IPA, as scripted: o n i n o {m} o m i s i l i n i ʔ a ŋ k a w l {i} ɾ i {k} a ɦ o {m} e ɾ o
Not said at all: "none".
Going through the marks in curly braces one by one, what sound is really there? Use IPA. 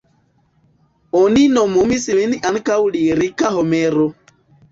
m, i, k, m

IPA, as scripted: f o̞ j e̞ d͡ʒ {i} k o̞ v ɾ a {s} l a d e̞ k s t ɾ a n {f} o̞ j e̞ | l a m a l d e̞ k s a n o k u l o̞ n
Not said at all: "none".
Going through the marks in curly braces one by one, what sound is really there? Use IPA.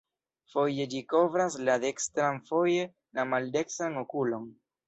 i, s, f

